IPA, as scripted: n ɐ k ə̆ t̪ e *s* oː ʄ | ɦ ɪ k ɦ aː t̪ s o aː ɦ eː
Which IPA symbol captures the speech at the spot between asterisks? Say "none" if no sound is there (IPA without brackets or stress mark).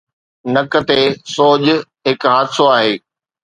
s